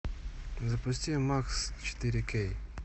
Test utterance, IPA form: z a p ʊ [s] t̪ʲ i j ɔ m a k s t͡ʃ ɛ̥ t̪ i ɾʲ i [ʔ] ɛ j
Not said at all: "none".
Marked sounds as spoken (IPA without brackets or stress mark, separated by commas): s, k